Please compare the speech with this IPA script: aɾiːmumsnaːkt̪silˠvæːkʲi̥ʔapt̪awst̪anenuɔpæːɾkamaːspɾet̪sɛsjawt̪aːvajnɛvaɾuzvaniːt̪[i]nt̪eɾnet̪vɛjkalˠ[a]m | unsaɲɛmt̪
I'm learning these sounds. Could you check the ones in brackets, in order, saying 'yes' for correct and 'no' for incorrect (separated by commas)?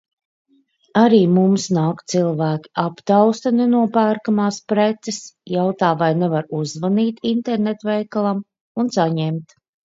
yes, yes